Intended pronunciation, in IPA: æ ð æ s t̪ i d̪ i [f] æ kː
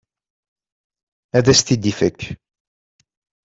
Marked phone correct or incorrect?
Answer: correct